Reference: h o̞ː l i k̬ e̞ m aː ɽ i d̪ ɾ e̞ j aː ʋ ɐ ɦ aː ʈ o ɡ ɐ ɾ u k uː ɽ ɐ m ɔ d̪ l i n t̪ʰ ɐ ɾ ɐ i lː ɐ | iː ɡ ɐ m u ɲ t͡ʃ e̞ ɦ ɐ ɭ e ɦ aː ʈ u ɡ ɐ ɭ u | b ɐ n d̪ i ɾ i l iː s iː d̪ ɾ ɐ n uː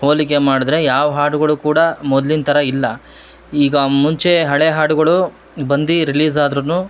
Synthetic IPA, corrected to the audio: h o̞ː l i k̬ e̞ m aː ɽ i d̪ ɾ e̞ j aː ʋ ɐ ɦ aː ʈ u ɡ ɐ ɭ u k uː ɽ ɐ m ɔ d̪ l i n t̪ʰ ɐ ɾ ɐ i lː ɐ | iː ɡ ɐ m u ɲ t͡ʃ e̞ ɦ ɐ ɭ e ɦ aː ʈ u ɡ ɐ ɭ u | b ɐ n d̪ i ɾ i l iː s aː d̪ ɾ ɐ n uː